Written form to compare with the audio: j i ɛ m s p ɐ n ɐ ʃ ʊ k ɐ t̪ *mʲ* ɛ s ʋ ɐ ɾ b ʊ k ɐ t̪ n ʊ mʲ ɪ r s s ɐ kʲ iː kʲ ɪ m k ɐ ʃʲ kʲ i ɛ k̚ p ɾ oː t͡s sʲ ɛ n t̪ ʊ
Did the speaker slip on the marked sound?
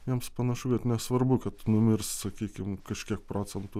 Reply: yes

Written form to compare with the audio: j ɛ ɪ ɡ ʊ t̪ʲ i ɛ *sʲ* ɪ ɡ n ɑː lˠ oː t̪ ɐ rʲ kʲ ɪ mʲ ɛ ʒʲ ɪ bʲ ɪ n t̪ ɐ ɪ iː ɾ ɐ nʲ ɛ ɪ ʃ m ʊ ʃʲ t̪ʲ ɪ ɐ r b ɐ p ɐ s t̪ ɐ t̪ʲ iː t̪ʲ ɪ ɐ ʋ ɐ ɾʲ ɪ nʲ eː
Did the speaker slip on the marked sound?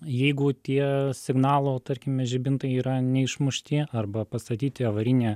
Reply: no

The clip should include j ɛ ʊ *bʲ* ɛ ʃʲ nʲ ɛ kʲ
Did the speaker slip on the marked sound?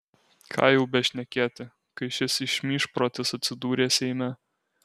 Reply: no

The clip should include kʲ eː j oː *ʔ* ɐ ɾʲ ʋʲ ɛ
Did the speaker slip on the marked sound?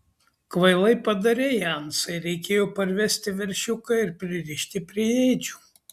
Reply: yes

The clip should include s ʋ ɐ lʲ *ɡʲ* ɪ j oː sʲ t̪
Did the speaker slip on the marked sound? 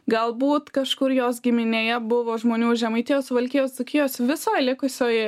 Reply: yes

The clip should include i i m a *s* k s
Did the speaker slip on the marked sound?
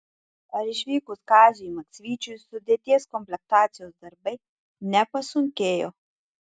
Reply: yes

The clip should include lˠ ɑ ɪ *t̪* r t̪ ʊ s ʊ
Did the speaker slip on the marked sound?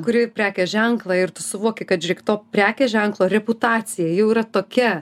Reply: yes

